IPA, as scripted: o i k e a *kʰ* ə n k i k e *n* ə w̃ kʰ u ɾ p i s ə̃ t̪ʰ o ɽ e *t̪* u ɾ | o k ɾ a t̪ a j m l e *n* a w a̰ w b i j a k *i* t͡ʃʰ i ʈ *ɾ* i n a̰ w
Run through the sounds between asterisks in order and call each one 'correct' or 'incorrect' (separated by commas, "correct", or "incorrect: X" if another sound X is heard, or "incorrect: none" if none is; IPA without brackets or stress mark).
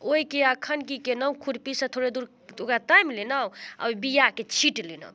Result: correct, correct, incorrect: d̪, correct, incorrect: e, incorrect: l